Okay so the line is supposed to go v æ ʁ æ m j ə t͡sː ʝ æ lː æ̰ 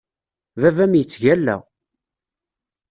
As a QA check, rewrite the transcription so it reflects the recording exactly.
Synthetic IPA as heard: v æ v æ m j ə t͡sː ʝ æ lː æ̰